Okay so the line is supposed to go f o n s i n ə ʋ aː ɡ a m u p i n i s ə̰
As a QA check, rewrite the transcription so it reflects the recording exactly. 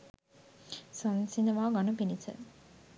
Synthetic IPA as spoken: s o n s i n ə ʋ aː ɡ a n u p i n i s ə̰

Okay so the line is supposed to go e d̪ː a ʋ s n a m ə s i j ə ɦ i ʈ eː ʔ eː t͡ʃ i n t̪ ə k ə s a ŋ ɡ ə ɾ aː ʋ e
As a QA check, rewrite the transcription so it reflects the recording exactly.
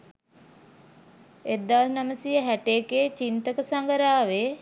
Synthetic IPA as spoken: e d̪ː a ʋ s n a m ə s i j ə ɦ æ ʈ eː k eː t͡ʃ i n t̪ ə k ə s a ŋ ɡ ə ɾ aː ʋ e

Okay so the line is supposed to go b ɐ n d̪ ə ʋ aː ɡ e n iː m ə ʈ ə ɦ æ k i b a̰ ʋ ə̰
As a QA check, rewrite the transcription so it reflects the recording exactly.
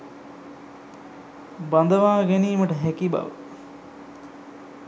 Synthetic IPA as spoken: b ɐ n d̪ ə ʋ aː ɡ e n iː m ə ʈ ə ɦ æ k i b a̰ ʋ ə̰

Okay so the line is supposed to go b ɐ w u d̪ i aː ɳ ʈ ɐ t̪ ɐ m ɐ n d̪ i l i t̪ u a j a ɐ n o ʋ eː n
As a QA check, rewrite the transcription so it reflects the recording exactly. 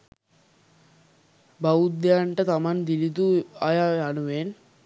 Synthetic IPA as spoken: b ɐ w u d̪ j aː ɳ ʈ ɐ t̪ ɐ m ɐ n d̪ i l i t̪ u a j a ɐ n u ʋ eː n

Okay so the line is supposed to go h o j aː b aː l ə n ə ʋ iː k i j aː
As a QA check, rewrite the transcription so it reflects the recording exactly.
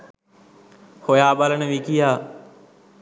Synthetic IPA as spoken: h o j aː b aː l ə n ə ʋ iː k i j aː

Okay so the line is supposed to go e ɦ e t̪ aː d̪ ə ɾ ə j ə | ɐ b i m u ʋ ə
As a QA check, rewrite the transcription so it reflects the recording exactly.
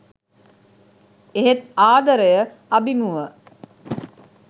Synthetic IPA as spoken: e ɦ e t̪ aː d̪ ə ɾ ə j ə | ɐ b i m u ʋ ə

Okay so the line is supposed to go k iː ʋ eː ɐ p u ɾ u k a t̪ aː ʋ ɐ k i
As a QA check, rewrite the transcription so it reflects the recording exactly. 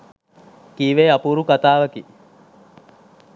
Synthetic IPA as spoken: k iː ʋ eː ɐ p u ɾ u k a t̪ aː ʋ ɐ k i

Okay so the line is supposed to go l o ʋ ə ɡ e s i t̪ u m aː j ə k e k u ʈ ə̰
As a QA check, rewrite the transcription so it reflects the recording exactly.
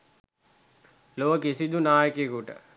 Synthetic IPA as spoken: l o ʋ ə k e s i d̪ u n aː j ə k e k u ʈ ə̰

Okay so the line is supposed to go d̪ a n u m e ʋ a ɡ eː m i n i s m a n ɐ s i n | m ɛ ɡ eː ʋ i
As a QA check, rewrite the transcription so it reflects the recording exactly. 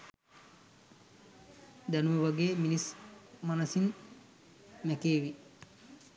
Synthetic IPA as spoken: d̪ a n u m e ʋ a ɡ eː m i n i s m a n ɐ s i n | m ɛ k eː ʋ i

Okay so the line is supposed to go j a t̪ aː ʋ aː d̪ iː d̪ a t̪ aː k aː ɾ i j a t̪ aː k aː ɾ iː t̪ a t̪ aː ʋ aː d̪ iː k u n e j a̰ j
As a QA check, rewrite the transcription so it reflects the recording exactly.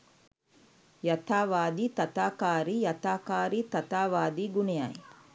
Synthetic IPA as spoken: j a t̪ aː ʋ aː d̪ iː t̪ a t̪ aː k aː ɾ i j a t̪ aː k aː ɾ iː t̪ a t̪ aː ʋ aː d̪ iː ɡ u n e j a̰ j

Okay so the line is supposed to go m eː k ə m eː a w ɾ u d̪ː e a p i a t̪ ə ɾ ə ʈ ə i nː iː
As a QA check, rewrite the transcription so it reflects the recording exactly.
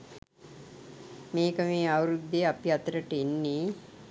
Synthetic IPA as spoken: m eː k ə m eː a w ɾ u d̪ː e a p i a t̪ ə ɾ ə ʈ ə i nː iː

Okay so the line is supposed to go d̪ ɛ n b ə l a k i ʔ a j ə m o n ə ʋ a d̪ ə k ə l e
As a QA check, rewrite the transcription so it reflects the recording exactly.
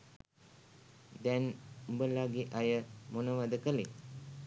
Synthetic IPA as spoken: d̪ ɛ n b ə l a ɡ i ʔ a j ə m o n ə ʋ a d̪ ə k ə l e

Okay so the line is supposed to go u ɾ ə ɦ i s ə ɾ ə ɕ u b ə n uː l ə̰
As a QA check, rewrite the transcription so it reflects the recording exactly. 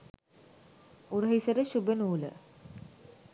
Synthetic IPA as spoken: u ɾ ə ɦ i s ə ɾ ə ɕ u b ə n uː l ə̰

